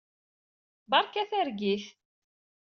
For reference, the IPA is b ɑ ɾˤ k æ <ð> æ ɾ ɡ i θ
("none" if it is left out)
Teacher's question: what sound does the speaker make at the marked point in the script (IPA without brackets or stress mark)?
θ